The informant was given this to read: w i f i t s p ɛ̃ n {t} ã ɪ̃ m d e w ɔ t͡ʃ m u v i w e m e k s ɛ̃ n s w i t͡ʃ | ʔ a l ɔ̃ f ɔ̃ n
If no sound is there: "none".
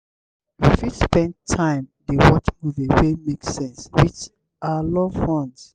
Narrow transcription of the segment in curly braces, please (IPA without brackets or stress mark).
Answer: tʰ